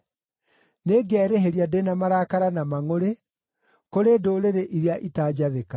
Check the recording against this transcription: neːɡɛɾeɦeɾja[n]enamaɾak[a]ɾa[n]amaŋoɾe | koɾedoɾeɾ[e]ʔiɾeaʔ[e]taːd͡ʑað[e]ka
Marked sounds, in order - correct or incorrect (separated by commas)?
incorrect, correct, correct, correct, incorrect, correct